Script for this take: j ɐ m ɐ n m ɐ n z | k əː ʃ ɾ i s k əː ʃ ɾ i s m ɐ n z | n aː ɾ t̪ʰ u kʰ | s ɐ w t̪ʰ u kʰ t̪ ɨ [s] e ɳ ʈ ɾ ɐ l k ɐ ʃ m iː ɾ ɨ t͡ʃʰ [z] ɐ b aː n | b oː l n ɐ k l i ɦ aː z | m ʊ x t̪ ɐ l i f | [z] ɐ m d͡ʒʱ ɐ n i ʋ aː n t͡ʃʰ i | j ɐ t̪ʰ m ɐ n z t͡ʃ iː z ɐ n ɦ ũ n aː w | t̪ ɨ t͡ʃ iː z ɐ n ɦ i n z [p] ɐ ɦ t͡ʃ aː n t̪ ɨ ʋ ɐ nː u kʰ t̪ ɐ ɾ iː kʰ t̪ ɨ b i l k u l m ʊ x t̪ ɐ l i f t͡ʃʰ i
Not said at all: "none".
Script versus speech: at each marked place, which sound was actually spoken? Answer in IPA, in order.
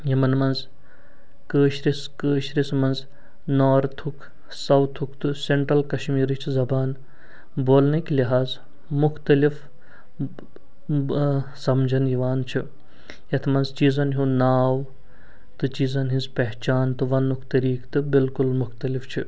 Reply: s, z, s, p

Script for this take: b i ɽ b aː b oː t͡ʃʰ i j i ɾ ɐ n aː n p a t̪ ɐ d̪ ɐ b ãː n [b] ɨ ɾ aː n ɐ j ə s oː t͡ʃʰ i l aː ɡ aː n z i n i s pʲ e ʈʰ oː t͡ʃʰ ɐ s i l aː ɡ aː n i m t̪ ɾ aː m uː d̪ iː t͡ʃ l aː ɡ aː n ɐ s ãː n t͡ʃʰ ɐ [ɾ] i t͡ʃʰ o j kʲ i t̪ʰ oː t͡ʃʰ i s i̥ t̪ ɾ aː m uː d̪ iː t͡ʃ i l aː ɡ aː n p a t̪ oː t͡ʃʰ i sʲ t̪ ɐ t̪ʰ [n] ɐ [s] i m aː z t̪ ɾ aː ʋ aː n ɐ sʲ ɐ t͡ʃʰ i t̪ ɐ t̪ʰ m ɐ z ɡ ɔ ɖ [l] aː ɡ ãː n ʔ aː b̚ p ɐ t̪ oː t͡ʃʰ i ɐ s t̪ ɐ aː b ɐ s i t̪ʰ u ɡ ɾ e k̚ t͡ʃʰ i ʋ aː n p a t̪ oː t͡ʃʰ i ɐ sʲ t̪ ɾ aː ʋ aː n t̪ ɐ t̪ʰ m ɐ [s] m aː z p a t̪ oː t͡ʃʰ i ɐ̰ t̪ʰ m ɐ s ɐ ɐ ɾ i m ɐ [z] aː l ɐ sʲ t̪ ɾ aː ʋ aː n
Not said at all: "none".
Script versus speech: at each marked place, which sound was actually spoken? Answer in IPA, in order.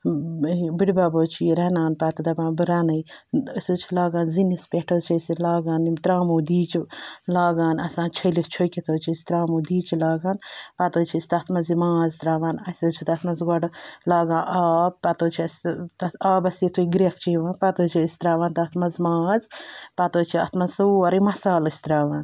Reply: b, l, m, z, l, z, s

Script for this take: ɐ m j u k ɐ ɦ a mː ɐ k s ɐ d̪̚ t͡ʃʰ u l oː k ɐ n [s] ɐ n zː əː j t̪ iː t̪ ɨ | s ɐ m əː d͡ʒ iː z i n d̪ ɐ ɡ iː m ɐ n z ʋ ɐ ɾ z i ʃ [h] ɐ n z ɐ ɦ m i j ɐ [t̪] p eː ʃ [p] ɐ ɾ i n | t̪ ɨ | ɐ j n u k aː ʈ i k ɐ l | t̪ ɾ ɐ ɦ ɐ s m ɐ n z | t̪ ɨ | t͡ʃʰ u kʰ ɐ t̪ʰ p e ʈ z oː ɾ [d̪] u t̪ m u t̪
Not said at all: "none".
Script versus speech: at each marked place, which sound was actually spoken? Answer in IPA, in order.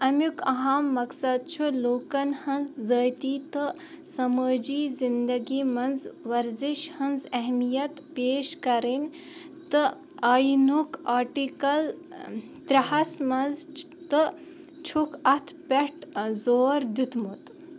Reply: h, h, t̪, k, d̪

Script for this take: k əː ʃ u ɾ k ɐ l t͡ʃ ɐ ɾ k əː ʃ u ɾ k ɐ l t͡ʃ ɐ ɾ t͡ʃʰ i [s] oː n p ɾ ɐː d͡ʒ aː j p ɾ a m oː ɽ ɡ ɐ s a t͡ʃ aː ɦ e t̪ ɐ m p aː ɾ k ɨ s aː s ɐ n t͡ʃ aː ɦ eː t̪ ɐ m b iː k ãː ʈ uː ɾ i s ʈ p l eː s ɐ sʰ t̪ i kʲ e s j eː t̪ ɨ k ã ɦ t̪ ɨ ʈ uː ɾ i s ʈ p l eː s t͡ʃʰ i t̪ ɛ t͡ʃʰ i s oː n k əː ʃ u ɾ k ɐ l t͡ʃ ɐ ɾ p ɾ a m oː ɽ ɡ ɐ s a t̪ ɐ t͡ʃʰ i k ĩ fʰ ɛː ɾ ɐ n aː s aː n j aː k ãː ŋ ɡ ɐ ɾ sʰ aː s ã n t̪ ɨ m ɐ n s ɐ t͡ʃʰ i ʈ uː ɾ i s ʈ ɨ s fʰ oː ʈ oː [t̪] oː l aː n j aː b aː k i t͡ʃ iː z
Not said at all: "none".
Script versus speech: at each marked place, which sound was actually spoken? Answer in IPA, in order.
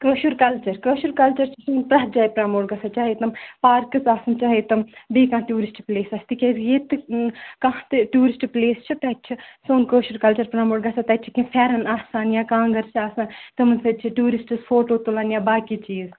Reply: s, t̪

